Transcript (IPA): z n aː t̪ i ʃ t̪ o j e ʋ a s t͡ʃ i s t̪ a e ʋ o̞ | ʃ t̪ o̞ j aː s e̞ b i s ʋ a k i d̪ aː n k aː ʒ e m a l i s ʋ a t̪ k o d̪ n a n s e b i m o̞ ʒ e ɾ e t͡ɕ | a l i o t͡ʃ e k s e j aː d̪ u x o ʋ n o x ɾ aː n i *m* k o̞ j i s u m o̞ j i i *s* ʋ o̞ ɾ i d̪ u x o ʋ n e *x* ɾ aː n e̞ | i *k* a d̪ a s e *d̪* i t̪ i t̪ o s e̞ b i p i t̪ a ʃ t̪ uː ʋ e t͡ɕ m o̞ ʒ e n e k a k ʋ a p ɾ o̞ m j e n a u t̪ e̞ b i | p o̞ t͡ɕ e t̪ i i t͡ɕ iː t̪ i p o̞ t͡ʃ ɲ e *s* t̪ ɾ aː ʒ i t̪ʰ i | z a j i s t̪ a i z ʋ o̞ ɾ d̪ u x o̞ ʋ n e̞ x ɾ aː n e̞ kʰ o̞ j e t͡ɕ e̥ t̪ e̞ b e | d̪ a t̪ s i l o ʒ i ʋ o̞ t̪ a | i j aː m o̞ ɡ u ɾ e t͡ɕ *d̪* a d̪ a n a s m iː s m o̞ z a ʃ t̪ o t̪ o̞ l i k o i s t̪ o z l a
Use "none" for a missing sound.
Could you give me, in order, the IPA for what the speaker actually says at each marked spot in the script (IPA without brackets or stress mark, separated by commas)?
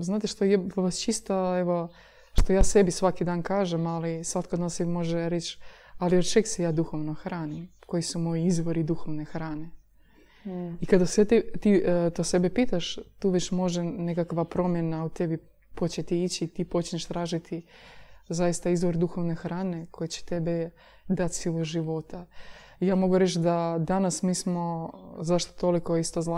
m, z, x, k, t̪, ʃ, d̪